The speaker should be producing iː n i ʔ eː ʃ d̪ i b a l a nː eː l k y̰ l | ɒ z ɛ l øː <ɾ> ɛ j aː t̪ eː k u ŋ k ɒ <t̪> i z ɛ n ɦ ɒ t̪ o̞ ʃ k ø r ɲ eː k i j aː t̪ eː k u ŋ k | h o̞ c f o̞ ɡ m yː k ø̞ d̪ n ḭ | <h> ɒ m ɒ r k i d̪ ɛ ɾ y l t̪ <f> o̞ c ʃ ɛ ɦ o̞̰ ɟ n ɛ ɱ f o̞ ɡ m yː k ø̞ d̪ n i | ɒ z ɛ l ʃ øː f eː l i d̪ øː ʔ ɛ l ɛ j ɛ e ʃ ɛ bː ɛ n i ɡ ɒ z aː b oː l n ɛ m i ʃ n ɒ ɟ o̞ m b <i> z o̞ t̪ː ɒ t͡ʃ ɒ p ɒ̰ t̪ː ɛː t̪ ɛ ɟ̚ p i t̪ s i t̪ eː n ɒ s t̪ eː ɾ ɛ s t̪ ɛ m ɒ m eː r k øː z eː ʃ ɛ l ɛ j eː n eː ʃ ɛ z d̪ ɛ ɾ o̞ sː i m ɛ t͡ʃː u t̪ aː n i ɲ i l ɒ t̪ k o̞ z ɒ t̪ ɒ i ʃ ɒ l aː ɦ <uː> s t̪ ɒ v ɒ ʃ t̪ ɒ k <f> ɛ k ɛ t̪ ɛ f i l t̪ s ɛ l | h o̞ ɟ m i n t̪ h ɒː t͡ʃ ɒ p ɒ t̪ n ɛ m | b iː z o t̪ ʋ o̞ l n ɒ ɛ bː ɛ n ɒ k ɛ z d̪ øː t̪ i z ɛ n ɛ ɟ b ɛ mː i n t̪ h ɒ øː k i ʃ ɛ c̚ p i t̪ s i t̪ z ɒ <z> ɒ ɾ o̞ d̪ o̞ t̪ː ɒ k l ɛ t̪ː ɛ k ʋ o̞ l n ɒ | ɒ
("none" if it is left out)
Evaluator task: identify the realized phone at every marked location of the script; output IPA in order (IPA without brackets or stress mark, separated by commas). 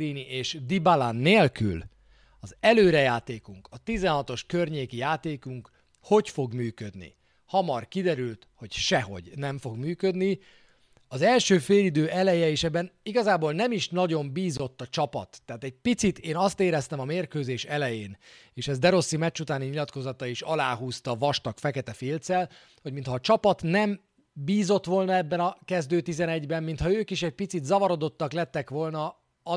ɾ, t̪, h, h, iː, uː, f, v